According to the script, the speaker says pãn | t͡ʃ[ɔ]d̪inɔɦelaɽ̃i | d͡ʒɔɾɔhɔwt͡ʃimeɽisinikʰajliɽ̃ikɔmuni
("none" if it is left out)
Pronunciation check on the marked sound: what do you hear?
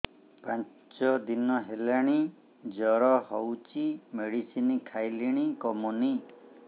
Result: ɔ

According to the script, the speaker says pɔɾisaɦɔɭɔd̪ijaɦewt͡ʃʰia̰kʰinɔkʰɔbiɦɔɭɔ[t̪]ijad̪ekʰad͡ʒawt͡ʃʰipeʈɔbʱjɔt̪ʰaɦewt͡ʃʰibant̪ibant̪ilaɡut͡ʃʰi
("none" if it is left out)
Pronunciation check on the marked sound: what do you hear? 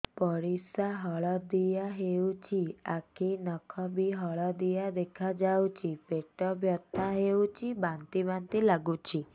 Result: d̪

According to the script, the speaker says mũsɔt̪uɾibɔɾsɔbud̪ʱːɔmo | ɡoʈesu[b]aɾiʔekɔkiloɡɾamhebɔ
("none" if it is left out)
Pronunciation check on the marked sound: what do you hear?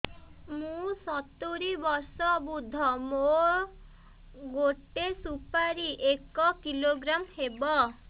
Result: p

